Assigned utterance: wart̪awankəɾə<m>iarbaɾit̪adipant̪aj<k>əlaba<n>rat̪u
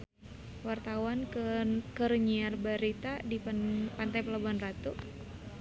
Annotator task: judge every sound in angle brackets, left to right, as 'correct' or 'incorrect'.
incorrect, incorrect, correct

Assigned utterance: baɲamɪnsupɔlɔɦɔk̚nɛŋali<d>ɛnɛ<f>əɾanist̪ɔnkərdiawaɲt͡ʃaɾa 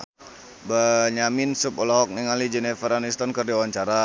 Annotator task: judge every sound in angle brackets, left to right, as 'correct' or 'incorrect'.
incorrect, correct

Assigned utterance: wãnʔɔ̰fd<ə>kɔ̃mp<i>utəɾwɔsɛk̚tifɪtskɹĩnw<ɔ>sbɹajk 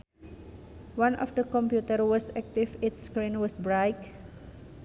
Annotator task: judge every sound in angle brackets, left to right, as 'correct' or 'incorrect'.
correct, incorrect, correct

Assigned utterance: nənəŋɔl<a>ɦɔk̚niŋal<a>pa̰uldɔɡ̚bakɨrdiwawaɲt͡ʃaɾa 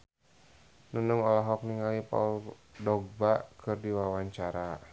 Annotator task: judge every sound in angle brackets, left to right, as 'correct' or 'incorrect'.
correct, incorrect

